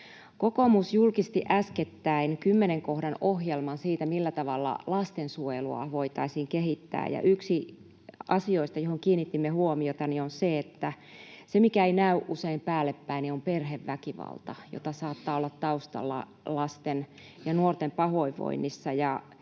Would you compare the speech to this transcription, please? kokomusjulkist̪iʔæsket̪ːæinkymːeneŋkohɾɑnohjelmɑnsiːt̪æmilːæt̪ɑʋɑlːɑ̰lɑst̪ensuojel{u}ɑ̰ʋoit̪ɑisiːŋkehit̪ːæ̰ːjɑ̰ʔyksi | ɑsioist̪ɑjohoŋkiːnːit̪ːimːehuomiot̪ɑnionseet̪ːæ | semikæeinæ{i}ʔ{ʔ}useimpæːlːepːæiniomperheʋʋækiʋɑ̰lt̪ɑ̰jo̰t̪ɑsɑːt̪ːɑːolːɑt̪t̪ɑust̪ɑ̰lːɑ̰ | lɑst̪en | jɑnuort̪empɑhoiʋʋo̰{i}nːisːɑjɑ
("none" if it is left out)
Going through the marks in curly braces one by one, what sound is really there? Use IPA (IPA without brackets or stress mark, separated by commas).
u, y, ʔ, i